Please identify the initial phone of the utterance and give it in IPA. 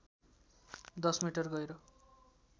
d̪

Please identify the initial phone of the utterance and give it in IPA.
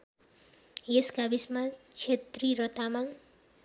e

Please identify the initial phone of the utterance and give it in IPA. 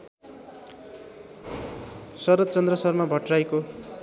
s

